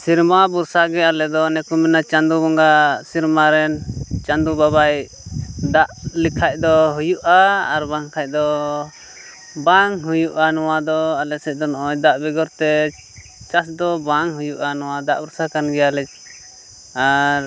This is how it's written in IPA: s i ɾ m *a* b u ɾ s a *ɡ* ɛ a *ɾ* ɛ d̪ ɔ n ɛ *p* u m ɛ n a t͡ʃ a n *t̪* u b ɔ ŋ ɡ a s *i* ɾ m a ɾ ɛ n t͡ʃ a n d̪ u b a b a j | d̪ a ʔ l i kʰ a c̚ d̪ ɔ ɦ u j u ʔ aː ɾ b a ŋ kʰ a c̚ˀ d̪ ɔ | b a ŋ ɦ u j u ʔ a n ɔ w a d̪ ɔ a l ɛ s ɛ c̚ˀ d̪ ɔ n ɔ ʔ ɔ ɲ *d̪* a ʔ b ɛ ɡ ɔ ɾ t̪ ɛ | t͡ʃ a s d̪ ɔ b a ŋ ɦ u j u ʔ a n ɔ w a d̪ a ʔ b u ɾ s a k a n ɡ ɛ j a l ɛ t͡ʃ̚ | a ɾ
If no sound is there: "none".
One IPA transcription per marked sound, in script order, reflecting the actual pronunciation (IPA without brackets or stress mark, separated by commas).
a, ɡ, l, k, d̪, i, d̪